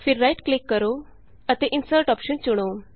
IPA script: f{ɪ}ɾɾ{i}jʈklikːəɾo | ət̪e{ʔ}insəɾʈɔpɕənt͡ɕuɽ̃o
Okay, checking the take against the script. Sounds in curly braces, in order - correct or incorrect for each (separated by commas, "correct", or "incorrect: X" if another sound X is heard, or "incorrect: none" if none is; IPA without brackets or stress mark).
incorrect: i, incorrect: a, correct